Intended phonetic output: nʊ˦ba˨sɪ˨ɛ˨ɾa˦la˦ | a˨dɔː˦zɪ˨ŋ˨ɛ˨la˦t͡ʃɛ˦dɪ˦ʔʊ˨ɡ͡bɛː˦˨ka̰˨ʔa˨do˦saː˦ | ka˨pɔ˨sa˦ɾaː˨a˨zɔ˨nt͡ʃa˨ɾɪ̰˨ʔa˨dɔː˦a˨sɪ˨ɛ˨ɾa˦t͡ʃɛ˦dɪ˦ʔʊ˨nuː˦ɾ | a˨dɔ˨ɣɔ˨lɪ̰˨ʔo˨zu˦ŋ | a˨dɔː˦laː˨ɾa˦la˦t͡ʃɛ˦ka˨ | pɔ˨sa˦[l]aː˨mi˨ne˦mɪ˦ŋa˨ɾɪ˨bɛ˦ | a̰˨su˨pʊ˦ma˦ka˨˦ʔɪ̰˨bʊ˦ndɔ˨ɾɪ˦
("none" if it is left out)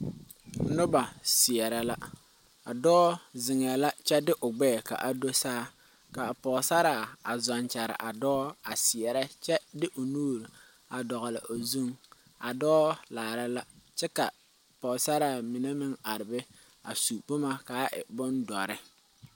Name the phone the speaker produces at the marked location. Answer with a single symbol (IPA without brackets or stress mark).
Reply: ɾ